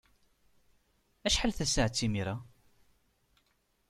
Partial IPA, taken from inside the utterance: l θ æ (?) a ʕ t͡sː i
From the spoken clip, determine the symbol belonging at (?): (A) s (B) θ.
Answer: A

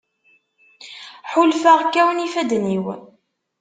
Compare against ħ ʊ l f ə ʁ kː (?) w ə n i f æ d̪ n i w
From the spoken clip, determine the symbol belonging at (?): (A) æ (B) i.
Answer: A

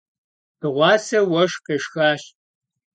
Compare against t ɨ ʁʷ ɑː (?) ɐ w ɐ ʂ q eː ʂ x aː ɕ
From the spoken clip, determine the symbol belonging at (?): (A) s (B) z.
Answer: A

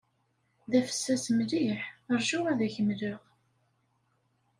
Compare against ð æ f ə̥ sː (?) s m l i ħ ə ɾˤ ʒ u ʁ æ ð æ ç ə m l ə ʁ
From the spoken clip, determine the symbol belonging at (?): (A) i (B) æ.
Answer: B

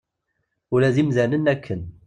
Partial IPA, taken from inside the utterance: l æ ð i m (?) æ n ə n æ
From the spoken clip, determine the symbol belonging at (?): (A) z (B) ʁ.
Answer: A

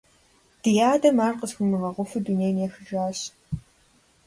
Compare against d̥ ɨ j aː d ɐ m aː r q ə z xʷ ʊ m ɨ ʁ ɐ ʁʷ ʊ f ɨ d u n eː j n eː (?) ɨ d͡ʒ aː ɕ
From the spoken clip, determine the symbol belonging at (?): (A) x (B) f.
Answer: A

